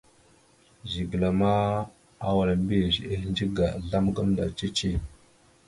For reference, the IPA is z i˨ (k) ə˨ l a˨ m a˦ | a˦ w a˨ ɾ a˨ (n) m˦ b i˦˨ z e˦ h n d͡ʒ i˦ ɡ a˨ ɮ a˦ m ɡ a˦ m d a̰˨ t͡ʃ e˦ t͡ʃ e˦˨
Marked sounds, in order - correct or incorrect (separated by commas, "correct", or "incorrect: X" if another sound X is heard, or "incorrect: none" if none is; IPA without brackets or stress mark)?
incorrect: ɡ, incorrect: none